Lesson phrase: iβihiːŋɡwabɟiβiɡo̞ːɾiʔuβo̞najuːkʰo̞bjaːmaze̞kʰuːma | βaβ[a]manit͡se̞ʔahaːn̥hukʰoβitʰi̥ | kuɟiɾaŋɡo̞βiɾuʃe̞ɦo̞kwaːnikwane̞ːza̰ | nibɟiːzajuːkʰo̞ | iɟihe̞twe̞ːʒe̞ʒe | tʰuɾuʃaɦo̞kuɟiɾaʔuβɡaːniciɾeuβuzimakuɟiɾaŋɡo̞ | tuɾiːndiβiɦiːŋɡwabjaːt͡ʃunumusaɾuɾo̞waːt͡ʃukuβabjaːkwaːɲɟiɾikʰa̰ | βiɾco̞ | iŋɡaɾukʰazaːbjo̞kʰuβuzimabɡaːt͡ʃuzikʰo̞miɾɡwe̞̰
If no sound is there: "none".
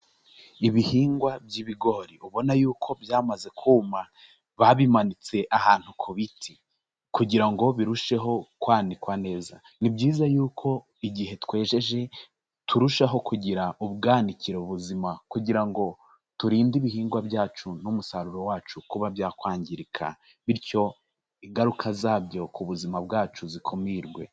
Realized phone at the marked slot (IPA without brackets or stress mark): i